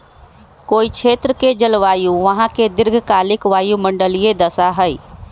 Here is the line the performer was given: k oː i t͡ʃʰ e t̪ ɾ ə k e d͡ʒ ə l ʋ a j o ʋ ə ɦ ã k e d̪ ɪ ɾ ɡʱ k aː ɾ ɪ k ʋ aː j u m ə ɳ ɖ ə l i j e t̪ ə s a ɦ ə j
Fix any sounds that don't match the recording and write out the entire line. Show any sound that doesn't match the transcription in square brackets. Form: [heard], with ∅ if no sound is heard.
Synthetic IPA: k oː i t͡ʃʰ e t̪ ɾ ə k e d͡ʒ ə l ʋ a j [u] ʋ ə ɦ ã k e d̪ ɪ ɾ ɡʱ k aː [l] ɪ k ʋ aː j u m ə ɳ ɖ ə l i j e [d̪] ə s a ɦ ə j